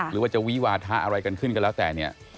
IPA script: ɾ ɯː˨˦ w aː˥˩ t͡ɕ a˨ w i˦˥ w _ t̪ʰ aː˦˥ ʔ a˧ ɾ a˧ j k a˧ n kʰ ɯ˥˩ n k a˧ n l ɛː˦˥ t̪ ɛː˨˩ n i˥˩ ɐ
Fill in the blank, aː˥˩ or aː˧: aː˧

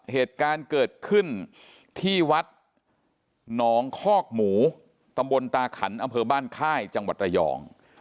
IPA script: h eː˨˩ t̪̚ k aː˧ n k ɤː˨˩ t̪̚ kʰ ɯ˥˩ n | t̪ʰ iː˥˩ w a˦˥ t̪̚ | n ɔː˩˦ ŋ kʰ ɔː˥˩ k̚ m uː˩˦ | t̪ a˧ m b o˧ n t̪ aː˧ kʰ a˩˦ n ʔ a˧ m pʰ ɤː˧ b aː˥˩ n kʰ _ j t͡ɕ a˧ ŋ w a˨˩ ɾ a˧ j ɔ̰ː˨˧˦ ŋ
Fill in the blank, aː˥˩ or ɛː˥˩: aː˥˩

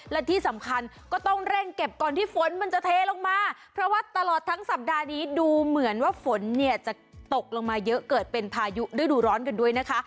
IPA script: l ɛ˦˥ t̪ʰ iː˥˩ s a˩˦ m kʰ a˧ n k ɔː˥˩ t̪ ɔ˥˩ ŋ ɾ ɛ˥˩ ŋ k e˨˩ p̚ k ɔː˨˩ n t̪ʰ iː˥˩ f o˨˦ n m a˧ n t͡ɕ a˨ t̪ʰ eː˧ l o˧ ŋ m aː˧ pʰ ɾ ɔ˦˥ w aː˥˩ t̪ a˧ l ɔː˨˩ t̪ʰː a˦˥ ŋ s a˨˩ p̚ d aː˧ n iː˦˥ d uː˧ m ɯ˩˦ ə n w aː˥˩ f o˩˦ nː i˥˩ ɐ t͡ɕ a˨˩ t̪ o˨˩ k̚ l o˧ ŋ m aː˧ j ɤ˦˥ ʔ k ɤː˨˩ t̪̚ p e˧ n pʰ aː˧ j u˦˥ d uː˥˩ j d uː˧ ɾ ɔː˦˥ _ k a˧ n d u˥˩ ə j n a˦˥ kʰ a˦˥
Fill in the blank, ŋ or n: n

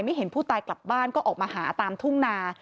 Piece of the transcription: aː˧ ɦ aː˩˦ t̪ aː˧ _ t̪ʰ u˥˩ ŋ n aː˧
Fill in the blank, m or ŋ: m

